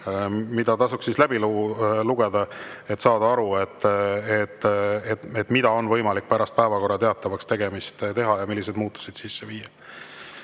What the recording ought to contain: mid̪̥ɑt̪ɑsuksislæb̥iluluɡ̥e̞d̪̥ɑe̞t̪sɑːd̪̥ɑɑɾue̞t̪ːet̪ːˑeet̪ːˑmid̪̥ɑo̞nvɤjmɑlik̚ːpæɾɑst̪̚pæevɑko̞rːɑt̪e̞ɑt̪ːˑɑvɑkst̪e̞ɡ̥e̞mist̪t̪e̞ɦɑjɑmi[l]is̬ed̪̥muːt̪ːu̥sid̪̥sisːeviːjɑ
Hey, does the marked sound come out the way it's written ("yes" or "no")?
no